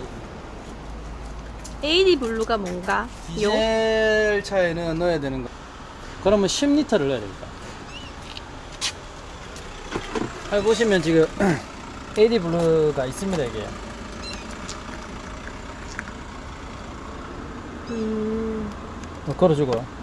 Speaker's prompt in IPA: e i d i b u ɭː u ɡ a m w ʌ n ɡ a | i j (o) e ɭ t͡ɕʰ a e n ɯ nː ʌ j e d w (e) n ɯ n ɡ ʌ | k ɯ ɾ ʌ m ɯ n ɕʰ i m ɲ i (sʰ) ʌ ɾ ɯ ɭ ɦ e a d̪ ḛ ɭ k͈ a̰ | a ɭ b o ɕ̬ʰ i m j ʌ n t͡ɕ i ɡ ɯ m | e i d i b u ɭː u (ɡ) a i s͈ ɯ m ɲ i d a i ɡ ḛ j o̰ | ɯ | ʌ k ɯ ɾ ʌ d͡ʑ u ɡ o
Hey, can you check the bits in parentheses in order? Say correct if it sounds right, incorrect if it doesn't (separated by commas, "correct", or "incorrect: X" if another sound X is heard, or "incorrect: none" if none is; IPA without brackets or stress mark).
correct, correct, incorrect: tʰ, correct